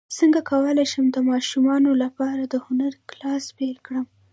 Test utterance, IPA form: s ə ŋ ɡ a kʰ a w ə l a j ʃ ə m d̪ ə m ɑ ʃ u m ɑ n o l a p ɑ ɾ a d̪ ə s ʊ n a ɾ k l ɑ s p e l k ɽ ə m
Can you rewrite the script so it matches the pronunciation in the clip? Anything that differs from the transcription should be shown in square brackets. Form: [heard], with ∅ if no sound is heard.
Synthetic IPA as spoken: s ə ŋ ɡ a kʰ a w ə l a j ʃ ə m d̪ ə m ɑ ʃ u m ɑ n o l a p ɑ ɾ a d̪ ə [h] ʊ n a ɾ k l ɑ s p e l k ɽ ə m